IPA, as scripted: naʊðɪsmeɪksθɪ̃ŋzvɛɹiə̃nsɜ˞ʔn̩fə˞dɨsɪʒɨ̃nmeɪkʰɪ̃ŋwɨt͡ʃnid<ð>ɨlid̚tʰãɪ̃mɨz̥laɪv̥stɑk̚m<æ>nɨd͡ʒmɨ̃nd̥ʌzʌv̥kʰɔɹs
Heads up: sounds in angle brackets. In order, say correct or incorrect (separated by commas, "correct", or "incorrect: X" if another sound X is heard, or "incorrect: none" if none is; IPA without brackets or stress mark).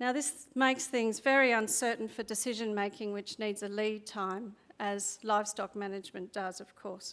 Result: incorrect: z, correct